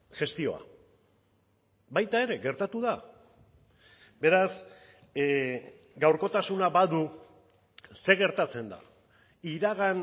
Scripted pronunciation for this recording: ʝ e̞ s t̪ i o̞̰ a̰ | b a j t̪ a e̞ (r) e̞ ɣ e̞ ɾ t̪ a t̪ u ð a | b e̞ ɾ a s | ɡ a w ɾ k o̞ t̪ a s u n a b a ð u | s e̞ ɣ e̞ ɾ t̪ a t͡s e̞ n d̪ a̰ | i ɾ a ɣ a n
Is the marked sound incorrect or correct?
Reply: incorrect